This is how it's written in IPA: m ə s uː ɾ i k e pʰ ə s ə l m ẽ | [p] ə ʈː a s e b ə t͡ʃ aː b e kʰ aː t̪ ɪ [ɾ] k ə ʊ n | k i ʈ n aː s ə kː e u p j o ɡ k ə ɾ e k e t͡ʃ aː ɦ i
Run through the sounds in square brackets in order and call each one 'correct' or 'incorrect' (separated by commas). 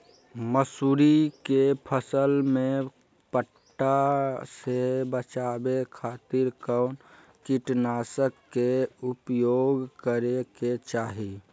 correct, correct